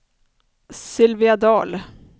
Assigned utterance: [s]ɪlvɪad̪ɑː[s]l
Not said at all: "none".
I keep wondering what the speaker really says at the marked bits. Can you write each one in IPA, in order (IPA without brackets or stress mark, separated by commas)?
s, none